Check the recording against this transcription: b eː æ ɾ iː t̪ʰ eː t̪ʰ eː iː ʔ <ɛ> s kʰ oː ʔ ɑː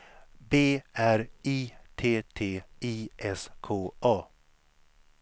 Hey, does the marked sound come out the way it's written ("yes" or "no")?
yes